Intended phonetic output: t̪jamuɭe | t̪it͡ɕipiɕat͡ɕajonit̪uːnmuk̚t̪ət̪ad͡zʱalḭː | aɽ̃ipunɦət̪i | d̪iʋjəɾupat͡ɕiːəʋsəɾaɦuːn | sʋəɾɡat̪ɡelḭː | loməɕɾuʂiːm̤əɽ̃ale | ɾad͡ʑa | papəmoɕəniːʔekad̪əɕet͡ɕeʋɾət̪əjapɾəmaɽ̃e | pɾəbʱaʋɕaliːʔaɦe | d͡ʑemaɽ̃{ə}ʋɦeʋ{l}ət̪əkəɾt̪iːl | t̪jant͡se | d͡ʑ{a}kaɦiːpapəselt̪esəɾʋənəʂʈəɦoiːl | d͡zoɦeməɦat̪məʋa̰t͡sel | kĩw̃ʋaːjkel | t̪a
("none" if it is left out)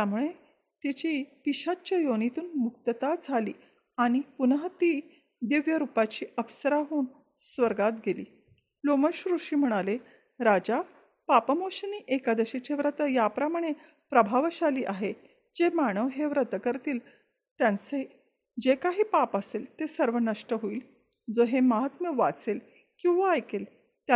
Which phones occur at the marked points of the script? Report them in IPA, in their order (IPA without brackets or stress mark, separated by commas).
ə, ɾ, e